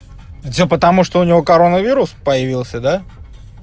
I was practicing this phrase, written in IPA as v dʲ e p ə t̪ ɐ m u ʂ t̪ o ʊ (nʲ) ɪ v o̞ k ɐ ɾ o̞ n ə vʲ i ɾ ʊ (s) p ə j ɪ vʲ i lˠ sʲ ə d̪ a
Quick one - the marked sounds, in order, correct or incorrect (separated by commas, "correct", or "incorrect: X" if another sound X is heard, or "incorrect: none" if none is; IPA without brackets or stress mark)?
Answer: correct, correct